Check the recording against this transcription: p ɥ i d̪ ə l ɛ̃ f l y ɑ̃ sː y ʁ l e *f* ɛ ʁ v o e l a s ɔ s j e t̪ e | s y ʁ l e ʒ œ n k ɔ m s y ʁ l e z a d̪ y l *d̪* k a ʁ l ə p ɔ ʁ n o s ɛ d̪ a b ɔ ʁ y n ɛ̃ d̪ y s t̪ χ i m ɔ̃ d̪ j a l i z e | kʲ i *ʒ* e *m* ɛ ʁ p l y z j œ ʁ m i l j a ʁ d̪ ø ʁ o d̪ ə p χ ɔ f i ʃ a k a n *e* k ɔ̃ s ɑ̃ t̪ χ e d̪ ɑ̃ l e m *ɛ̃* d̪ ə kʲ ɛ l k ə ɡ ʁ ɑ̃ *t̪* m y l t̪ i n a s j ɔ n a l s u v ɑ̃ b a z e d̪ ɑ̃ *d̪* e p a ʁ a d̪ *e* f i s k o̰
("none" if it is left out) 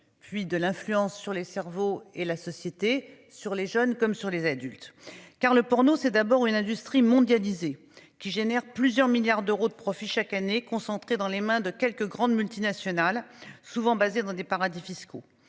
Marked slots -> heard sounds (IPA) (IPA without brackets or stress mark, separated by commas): s, t̪, ʒ, n, e, ɛ̃, d̪, d̪, i